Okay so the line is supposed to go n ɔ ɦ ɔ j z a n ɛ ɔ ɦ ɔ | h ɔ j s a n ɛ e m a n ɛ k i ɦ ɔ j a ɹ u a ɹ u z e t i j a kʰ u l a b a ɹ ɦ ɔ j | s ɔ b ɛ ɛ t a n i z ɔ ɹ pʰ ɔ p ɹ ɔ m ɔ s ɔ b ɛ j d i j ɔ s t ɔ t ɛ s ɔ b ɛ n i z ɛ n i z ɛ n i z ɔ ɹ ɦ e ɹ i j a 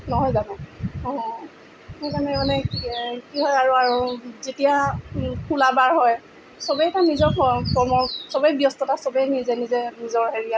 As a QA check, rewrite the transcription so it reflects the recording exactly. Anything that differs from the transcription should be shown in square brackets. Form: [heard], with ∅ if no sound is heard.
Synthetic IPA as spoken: n ɔ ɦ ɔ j z a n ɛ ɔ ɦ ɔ | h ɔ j [z] a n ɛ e m a n ɛ k i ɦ ɔ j a ɹ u a ɹ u z e t i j a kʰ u l a b a ɹ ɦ ɔ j | s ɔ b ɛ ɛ t a n i z ɔ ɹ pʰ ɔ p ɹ ɔ m ɔ s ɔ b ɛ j [b] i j ɔ s t ɔ t [a] s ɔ b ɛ n i z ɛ n i z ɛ n i z ɔ ɹ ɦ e ɹ i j a